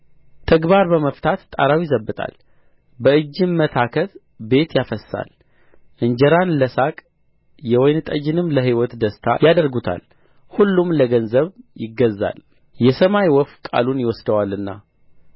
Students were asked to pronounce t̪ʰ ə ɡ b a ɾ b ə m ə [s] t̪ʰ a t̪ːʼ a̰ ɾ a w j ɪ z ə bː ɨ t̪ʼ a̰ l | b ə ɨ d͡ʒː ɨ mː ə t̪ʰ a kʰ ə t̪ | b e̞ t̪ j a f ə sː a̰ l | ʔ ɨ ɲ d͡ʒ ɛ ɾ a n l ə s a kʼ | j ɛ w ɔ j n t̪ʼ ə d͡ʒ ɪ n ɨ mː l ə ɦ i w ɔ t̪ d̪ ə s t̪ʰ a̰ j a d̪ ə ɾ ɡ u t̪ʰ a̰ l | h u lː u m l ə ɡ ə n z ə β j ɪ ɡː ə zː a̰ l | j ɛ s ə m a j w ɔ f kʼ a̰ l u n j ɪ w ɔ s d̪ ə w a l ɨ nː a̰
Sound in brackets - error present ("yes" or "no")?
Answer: yes